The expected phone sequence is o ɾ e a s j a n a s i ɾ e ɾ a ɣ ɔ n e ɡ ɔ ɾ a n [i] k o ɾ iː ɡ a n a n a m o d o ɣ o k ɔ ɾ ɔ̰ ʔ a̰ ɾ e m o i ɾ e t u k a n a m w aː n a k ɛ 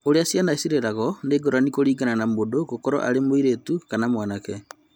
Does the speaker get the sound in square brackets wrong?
no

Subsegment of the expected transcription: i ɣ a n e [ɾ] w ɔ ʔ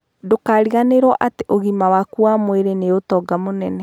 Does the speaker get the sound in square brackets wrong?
no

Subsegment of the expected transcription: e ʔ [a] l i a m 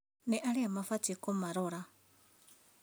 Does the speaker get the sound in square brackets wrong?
no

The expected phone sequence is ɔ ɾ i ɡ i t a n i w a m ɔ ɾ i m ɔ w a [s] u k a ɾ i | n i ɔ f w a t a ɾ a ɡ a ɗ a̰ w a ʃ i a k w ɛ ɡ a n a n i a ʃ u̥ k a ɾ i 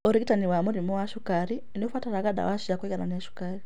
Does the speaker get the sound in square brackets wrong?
yes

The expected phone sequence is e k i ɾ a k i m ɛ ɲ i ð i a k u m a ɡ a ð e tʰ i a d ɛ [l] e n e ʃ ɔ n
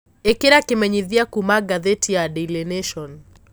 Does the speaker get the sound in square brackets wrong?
no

